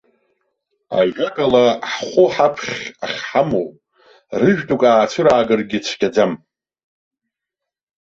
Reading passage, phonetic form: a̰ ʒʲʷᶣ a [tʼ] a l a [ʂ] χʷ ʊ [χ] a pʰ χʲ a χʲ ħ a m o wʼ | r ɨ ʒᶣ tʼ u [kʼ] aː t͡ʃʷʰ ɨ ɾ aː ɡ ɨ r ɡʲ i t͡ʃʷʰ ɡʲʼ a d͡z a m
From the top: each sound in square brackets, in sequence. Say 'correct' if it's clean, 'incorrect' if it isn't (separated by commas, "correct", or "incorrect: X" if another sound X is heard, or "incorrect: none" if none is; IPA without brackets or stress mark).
incorrect: kʼ, incorrect: ħ, incorrect: ħ, correct